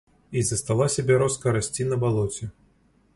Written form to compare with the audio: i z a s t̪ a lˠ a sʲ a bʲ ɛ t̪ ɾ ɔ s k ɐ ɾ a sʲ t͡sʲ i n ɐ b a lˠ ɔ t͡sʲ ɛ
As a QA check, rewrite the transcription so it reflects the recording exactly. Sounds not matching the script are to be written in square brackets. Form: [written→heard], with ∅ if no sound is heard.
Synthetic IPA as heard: i z [a→ɐ] s t̪ a lˠ a sʲ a bʲ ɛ [t̪→∅] ɾ ɔ s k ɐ ɾ a sʲ t͡sʲ i n ɐ b a lˠ ɔ t͡sʲ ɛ